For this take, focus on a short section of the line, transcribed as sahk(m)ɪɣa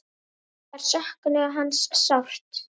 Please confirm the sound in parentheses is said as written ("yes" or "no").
no